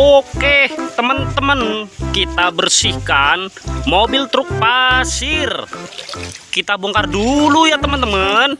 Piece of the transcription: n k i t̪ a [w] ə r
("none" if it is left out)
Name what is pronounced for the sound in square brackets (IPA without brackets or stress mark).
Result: b